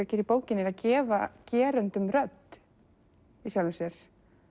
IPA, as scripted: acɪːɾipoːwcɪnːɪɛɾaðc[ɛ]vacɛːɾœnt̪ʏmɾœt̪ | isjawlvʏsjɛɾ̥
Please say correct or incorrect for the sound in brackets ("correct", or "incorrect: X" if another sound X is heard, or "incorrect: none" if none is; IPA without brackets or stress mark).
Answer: incorrect: ɛː